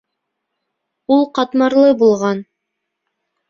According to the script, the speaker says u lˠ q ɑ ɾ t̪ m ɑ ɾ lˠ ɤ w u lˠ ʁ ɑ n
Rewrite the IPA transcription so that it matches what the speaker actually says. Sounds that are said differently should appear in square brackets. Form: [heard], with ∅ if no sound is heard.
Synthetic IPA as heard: u lˠ q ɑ [∅] t̪ m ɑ ɾ lˠ ɤ [b] u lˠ ʁ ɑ n